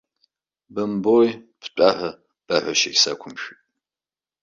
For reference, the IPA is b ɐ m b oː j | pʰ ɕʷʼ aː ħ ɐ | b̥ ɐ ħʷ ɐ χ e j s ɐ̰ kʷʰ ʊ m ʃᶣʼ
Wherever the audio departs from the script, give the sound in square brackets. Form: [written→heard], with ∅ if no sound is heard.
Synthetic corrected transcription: b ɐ m b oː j | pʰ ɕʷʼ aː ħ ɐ | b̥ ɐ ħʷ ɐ [χ→ʃ] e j s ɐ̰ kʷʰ ʊ m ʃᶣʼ

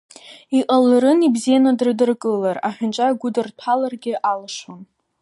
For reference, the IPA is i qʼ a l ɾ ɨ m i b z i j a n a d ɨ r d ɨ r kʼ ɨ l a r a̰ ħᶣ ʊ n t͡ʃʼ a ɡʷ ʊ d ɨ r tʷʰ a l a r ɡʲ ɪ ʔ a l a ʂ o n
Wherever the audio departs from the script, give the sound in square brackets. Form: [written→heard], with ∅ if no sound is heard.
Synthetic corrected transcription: i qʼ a l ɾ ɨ [m→n] i b z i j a n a d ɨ r d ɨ r kʼ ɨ l a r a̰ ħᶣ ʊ n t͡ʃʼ a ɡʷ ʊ d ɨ r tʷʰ a l a r ɡʲ ɪ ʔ a l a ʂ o n

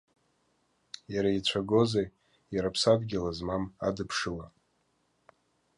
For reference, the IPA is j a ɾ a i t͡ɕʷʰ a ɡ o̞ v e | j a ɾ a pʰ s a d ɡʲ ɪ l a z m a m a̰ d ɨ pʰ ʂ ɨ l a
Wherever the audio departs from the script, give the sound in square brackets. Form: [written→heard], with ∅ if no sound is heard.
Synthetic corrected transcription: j a ɾ a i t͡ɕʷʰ a ɡ o̞ [v→z] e | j a ɾ a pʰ s a d ɡʲ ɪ l a z m a m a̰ d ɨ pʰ ʂ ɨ l a

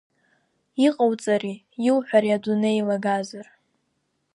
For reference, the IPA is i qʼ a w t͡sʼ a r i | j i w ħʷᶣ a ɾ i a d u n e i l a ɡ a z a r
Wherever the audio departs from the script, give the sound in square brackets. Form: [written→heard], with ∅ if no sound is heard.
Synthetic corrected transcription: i qʼ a w t͡sʼ a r i | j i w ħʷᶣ a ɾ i a d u n e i l a ɡ a z a r

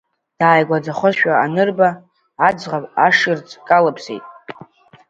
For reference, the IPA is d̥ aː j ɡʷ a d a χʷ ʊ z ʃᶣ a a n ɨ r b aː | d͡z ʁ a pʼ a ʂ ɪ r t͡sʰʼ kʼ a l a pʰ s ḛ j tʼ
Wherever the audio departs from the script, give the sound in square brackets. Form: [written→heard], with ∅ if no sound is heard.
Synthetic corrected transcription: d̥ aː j ɡʷ a [d→d͡z] a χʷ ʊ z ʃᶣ a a n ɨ r b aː | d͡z ʁ a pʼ a ʂ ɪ r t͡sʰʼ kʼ a l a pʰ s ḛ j tʼ

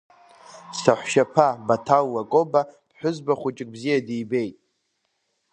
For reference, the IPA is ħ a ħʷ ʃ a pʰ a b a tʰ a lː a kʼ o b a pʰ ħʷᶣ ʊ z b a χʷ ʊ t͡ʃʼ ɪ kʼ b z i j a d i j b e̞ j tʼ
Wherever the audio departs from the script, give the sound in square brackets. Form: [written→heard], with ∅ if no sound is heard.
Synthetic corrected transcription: [ħ→s] a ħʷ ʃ a pʰ a b a tʰ a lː a kʼ o b a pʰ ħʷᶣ ʊ z b a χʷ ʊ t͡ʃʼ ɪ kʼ b z i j a d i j b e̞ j tʼ

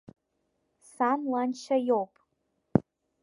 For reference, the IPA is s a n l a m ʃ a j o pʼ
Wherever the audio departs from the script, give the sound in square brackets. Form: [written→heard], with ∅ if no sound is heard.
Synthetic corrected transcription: s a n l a [m→n] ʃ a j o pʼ

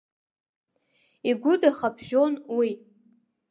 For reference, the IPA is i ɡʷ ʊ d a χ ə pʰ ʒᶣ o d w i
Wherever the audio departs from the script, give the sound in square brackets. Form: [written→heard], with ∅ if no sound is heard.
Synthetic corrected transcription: i ɡʷ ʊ d a χ [ə→a] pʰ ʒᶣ o [d→n] w i

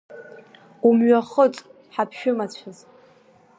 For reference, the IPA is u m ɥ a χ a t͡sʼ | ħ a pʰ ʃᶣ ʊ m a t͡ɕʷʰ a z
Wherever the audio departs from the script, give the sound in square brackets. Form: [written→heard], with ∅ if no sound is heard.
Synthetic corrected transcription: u m ɥ a χ [a→ə] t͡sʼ | ħ a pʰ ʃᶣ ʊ m a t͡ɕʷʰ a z

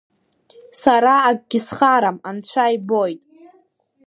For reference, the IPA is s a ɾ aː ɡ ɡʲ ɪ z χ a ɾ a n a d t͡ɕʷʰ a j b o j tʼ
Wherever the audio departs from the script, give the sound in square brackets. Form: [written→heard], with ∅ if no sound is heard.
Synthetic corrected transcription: s a ɾ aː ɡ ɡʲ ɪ [z→s] χ a ɾ a [n→m] a [d→n] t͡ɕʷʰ a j b o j tʼ

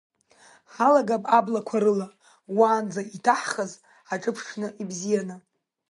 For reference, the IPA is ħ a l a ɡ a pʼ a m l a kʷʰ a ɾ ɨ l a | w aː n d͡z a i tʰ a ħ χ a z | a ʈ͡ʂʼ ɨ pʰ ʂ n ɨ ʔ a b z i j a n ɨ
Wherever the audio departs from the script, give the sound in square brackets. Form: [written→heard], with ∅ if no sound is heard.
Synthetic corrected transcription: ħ a l a ɡ a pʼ a [m→b] l a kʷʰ a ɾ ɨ l a | w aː n d͡z a i tʰ a ħ χ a z | a ʈ͡ʂʼ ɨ pʰ ʂ n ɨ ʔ [a→i] b z i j a n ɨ

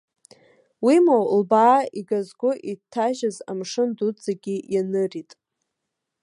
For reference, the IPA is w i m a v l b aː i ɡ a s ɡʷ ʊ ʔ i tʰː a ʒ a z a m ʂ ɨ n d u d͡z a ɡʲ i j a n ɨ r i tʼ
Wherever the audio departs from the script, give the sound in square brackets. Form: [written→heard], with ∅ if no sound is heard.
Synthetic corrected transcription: w i m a [v→w] l b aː i ɡ a [s→z] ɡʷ ʊ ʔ i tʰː a ʒ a z a m ʂ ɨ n d u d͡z a ɡʲ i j a n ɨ r i tʼ

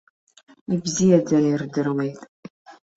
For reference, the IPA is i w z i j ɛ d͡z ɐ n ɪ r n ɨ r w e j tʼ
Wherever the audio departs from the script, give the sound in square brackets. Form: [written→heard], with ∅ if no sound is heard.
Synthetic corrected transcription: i [w→b] z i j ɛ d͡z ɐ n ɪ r [n→d] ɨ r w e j tʼ

